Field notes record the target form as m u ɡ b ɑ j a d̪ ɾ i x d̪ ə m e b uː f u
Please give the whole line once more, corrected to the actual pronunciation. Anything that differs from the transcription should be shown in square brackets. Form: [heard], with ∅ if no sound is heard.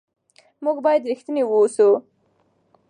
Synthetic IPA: m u ɡ b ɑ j a d̪ ɾ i x [t̪] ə [n] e [w] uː [s] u